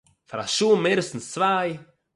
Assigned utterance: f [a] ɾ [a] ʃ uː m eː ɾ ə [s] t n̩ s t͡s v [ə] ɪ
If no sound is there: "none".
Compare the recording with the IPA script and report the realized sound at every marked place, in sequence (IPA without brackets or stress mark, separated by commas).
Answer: a, a, s, a